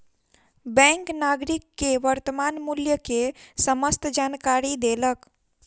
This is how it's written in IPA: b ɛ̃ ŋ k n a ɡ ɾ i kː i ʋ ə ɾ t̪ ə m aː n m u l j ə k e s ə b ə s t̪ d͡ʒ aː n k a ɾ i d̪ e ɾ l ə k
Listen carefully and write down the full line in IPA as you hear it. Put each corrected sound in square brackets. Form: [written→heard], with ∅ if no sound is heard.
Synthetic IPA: b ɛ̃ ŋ k n a ɡ ɾ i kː [i→e] ʋ ə ɾ t̪ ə m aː n m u l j ə k e s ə [b→m] ə s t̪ d͡ʒ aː n k a ɾ i d̪ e [ɾ→∅] l ə k